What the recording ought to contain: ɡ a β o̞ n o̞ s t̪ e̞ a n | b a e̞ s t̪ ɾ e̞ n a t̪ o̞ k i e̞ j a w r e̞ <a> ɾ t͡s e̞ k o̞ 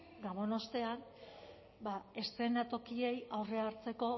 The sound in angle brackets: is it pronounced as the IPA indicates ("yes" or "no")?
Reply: yes